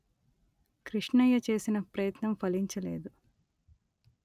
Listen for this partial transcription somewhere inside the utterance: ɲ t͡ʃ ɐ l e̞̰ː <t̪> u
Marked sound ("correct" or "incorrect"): incorrect